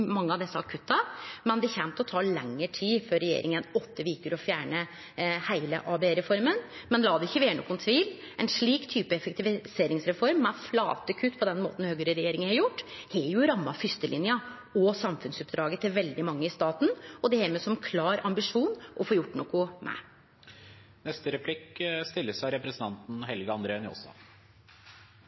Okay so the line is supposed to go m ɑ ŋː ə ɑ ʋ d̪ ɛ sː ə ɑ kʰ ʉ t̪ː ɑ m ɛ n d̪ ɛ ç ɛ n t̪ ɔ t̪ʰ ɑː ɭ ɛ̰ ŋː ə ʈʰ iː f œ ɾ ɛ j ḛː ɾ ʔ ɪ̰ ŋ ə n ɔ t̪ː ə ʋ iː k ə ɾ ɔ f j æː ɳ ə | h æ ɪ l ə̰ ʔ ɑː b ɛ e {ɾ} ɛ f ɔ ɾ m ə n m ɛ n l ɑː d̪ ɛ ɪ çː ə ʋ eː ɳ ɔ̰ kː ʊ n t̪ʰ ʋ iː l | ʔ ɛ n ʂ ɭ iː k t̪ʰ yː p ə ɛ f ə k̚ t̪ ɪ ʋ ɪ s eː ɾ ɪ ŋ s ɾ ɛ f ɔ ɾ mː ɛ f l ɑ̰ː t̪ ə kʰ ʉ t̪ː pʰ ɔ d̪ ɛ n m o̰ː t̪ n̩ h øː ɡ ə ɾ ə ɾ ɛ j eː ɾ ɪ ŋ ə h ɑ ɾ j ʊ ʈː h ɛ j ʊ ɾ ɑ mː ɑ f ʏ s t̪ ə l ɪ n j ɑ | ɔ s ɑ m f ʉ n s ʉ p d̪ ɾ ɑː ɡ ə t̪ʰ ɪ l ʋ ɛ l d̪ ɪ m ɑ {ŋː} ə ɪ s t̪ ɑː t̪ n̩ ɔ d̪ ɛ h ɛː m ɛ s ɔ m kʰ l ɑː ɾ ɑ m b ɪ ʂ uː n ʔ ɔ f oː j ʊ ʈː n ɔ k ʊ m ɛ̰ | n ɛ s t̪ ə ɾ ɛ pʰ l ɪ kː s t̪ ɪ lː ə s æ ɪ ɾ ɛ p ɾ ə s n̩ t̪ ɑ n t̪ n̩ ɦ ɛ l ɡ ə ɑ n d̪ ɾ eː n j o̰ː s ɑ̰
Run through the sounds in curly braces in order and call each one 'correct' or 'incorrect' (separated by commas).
correct, correct